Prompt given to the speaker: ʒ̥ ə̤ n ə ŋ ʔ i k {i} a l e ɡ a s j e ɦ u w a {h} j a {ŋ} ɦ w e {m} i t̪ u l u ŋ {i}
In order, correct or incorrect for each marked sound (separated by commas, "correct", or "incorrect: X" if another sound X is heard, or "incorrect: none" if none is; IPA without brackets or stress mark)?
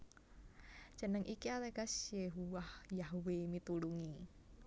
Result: correct, correct, incorrect: none, correct, correct